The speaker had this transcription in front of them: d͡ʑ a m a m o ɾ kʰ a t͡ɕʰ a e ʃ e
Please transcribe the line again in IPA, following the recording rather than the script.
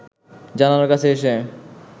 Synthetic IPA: d͡ʑ a n a n o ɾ k a t͡ɕʰ e e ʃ e

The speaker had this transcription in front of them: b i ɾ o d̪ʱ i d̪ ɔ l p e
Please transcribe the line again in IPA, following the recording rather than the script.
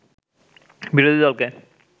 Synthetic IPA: b i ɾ o d̪ʱ i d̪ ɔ l k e

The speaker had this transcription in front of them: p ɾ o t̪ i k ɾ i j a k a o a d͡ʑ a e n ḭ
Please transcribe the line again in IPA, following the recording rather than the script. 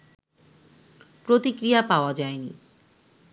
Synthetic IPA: p ɾ o t̪ i k ɾ i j a p a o a d͡ʑ a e n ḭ

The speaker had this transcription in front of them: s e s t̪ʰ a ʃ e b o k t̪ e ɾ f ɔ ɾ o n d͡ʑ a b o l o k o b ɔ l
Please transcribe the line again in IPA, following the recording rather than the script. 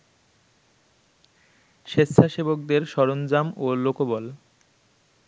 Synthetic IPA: ʃ e s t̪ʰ a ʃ e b o k d̪ e ɾ ʃ ɔ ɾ o n d͡ʑ a m o l o k o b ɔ l

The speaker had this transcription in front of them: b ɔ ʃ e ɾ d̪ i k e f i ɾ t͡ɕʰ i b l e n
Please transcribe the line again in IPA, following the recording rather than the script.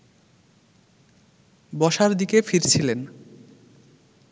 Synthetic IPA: b ɔ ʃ a ɾ d̪ i k e f i ɾ t͡ɕʰ i l e n

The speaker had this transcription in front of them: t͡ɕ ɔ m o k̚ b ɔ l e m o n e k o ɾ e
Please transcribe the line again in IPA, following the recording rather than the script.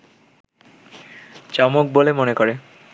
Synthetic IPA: t͡ɕ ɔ m o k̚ b o l e m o n e k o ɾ e

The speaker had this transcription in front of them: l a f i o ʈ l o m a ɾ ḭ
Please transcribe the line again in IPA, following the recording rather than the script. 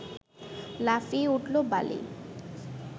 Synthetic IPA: l a f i u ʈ l o b a l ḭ

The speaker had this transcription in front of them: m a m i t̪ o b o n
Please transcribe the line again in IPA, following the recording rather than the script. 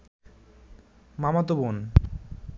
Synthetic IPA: m a m a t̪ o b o n

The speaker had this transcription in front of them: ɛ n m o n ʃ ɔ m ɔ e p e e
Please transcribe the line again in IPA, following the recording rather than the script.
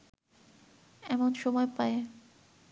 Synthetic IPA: ɛ m o n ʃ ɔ m ɔ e p a e

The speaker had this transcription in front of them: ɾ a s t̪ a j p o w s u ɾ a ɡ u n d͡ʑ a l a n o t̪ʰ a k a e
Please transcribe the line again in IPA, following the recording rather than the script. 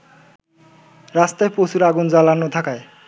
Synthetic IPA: ɾ a s t̪ a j p o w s u ɾ a ɡ u n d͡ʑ a l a n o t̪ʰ a k a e

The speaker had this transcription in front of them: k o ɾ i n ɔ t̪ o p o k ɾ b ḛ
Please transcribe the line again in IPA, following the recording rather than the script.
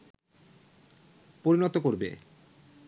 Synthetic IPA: p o ɾ i n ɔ t̪ o k o ɾ b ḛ

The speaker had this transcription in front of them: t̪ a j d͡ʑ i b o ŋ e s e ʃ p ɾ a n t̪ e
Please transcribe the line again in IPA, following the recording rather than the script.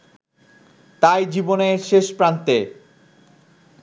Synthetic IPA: t̪ a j d͡ʑ i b o n e ʃ e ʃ p ɾ a n t̪ e

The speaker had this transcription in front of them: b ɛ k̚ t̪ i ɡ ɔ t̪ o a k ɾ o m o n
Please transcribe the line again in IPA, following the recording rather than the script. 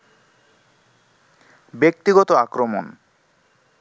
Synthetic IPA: b e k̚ t̪ i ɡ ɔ t̪ o a k ɾ o m o n

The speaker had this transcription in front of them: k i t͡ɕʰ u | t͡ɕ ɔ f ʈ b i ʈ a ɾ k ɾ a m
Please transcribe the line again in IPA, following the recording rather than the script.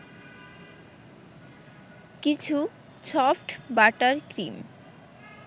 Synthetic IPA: k i t͡ɕʰ u | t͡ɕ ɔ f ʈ b a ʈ a ɾ k ɾ i m

